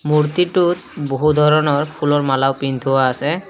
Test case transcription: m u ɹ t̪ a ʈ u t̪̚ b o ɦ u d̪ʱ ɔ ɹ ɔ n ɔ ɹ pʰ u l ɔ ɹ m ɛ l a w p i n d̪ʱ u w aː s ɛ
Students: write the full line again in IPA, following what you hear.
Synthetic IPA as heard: m u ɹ t̪ i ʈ u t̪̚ b o ɦ u d̪ʱ ɔ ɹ ɔ n ɔ ɹ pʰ u l ɔ ɹ m a l a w p i n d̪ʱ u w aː s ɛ

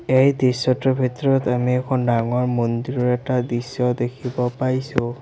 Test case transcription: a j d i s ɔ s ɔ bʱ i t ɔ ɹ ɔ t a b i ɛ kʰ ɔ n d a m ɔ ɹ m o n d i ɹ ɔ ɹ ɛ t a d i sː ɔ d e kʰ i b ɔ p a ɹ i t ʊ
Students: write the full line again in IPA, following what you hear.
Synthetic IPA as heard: e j d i s ɔ t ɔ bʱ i t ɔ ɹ ɔ t a m i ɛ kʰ ɔ n d a ŋ ɔ ɹ m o n d i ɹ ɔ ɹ ɛ t a d i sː ɔ d e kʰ i b ɔ p a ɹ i s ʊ

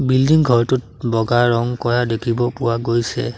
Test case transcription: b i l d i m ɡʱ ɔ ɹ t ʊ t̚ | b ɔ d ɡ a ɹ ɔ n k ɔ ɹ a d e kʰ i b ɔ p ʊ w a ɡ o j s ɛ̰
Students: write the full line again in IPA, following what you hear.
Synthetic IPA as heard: b i l d i ŋ ɡʱ ɔ ɹ t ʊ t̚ | b ɔ ɡ a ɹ ɔ ŋ k ɔ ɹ a d e kʰ i b ɔ p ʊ w a ɡ o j s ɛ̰

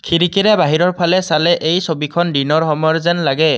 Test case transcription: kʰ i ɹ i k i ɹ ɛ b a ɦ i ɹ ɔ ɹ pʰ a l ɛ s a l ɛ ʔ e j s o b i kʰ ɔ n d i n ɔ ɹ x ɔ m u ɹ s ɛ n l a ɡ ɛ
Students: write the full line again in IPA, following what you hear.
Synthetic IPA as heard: kʰ i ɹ i k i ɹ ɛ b a ɦ i ɹ ɔ ɹ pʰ a l ɛ s a l ɛ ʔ e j s o b i kʰ ɔ n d i n ɔ ɹ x ɔ m ɔ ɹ z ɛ n l a ɡ ɛ

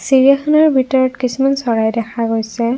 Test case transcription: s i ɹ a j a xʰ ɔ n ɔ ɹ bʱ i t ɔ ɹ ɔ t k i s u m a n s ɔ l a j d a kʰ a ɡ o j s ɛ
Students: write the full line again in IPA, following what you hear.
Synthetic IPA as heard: s i ɹ i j a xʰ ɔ n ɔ ɹ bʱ i t ɔ ɹ ɔ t k i s u m a n s ɔ ɹ a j d ɛ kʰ a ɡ o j s ɛ

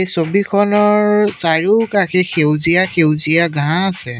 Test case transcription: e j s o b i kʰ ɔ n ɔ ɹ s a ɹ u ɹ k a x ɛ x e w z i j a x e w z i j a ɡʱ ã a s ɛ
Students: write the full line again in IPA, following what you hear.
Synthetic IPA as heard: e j s o b i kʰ ɔ n ɔ ɹ s a ɹ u k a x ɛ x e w z i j a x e w z i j a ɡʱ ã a s ɛ

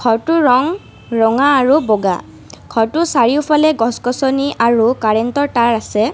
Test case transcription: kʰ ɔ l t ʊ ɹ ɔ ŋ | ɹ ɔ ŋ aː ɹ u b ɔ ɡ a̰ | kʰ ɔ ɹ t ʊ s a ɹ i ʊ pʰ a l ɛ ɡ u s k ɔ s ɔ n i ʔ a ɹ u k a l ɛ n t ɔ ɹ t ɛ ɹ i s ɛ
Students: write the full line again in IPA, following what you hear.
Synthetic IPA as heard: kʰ ɔ ɹ t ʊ ɹ ɔ ŋ | ɹ ɔ ŋ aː ɹ u b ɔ ɡ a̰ | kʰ ɔ ɹ t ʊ s a ɹ i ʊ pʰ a l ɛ ɡ ɔ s k ɔ s ɔ n i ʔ a ɹ u k a ɹ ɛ n t ɔ ɹ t a ɹ a s ɛ

